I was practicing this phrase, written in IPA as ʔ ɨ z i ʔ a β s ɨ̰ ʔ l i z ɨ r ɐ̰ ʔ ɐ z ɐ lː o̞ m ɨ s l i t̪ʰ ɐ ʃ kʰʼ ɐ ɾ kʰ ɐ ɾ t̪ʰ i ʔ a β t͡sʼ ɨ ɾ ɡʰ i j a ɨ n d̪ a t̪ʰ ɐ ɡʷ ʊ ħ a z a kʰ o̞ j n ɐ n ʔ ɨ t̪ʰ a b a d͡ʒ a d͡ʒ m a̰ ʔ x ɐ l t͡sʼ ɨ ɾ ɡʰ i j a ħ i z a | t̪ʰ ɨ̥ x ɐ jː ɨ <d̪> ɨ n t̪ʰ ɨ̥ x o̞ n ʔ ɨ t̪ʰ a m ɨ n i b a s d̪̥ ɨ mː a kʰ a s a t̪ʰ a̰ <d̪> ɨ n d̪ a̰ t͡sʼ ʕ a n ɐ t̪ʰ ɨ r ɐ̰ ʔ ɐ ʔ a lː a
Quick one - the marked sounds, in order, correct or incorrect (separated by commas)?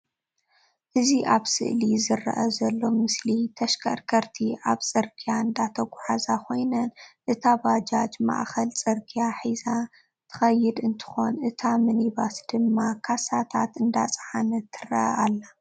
correct, incorrect